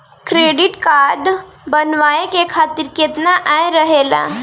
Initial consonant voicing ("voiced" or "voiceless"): voiceless